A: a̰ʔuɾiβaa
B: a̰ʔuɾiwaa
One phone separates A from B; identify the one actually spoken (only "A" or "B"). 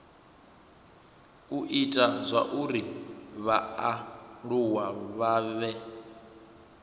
A